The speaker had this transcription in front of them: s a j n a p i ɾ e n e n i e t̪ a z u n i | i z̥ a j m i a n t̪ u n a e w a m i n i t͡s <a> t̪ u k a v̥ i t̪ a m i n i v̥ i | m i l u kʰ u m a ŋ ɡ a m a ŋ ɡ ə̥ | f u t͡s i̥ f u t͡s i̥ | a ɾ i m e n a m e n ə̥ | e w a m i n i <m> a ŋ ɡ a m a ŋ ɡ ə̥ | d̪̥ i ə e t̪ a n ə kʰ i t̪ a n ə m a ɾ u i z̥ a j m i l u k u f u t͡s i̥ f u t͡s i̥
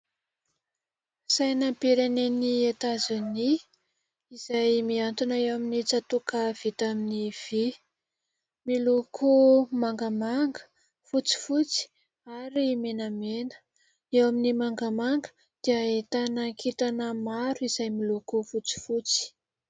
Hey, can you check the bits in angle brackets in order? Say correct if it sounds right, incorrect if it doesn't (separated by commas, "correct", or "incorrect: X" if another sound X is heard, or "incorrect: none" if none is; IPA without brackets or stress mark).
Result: correct, correct